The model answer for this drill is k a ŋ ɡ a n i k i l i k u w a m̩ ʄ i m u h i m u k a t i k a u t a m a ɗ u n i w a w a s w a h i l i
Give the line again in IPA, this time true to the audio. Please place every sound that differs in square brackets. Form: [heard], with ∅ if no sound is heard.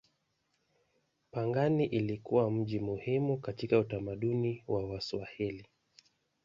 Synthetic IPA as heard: [p] a ŋ ɡ a n i [ʔ] i l i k u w a m̩ ʄ i m u h i m u k a t i k a u t a m a ɗ u n i w a w a s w a h i l i